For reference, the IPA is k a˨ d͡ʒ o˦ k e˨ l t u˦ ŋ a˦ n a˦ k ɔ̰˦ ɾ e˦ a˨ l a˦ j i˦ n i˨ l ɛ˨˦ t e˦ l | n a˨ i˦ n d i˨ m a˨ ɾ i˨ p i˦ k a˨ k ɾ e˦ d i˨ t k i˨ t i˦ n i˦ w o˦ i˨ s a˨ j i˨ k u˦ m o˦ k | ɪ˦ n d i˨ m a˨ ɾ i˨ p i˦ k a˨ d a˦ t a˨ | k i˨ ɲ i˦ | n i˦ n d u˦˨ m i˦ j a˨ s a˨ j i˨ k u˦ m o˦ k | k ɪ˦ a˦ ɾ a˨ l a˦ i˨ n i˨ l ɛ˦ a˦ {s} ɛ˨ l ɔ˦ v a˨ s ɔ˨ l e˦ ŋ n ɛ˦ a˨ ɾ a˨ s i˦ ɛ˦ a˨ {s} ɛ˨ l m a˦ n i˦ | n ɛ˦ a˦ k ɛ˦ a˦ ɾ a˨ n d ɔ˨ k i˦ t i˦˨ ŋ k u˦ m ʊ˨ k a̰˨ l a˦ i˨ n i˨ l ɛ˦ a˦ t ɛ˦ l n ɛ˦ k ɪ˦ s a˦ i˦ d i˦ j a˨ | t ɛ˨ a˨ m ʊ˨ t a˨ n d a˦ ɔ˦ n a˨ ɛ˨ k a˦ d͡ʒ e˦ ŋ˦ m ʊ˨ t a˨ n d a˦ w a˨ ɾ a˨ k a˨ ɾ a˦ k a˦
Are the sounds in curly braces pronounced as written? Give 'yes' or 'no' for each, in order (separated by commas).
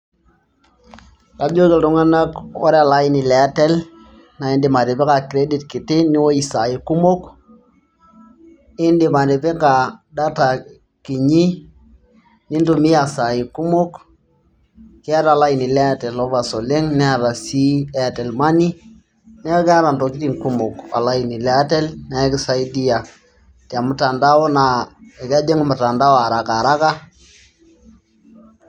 no, no